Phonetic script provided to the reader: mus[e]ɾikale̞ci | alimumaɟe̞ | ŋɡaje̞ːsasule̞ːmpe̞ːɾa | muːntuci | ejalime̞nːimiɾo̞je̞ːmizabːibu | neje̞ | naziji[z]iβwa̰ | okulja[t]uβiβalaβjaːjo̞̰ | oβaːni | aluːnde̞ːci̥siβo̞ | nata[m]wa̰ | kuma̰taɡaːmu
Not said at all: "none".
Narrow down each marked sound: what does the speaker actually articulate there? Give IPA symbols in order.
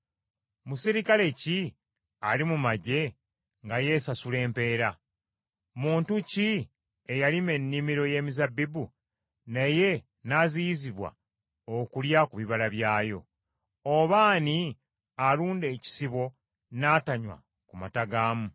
i, z, k, ɲ

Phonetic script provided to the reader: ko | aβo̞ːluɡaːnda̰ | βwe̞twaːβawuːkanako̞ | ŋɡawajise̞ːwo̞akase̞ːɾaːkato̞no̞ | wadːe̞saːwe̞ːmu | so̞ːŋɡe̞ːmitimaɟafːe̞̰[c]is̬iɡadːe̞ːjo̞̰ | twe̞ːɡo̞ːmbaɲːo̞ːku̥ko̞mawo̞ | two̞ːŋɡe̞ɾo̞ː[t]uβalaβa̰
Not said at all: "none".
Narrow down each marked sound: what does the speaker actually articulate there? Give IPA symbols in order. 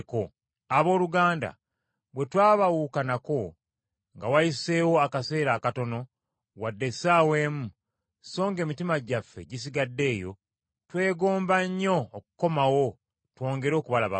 ɟ, k

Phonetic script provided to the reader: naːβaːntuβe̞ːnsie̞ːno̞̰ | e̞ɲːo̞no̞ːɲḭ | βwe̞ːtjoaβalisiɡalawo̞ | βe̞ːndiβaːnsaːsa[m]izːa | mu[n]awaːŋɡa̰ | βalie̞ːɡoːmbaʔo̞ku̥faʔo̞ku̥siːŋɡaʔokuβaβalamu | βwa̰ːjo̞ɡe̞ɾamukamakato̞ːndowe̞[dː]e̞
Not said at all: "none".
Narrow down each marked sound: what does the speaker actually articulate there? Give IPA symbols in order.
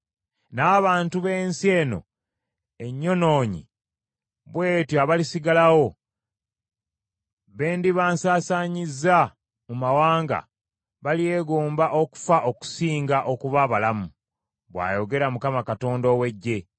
ɲ, m, ɟː

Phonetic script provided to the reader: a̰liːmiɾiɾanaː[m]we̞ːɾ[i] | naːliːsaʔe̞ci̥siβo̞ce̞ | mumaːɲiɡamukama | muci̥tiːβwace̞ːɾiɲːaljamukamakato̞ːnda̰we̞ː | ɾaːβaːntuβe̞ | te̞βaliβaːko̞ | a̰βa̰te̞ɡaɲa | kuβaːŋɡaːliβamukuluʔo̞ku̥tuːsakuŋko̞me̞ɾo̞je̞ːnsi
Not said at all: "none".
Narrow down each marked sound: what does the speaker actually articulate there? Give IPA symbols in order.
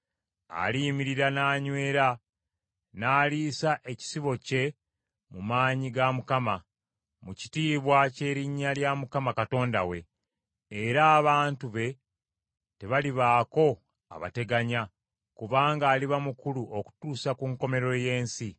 ɲ, a

